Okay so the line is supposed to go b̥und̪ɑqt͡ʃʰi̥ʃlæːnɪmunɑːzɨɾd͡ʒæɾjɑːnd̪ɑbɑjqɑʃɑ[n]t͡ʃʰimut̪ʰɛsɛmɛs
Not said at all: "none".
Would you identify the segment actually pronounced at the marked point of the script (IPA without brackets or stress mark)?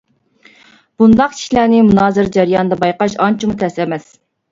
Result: n